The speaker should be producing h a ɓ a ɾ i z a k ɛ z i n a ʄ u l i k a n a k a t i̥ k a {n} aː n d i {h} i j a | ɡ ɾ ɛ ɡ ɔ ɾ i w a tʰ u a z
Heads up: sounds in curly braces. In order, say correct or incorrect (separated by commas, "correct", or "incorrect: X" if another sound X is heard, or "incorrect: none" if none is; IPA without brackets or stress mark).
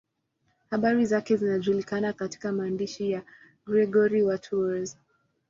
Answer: incorrect: m, incorrect: ʃ